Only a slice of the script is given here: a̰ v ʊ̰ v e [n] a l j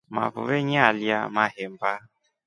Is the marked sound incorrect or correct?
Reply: incorrect